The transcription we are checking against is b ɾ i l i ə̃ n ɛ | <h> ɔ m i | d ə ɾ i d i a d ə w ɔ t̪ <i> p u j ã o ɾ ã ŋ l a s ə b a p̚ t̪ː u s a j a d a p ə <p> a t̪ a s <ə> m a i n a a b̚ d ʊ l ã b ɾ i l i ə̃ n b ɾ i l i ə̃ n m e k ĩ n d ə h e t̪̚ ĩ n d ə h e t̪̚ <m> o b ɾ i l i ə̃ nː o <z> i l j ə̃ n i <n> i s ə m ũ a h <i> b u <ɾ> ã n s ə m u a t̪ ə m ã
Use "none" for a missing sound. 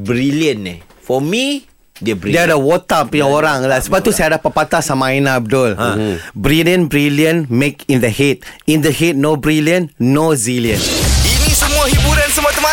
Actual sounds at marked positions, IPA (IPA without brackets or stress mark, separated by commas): f, a, p, a, n, z, n, i, ɾ